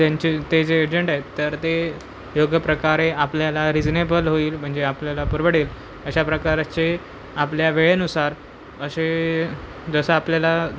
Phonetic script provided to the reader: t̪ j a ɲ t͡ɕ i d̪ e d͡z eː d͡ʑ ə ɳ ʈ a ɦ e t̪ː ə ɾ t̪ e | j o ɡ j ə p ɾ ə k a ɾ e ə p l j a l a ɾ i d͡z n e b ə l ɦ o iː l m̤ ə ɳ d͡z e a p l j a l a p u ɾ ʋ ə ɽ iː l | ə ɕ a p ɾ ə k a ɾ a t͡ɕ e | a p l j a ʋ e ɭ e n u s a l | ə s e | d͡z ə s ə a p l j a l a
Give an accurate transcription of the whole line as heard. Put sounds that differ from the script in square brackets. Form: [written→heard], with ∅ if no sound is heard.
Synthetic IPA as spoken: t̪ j a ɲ t͡ɕ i [d̪→t̪] e d͡z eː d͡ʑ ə ɳ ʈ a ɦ e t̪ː ə ɾ t̪ e | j o ɡ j ə p ɾ ə k a ɾ e [ə→a] p l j a l a ɾ i d͡z n e b ə l ɦ o iː l m̤ ə ɳ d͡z e a p l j a l a p u ɾ ʋ ə ɽ iː l | ə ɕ a p ɾ ə k a ɾ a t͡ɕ e | a p l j a ʋ e ɭ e n u s a [l→ɾ] | ə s e | d͡z ə s ə a p l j a l a